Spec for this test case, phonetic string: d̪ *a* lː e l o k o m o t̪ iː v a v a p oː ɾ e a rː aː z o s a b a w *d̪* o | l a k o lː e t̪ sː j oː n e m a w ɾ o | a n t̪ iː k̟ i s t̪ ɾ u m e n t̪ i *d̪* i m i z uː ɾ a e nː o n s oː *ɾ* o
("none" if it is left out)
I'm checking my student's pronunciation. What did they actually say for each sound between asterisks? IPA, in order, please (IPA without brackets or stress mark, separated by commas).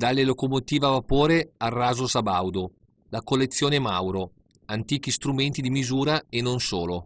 a, d̪, d̪, l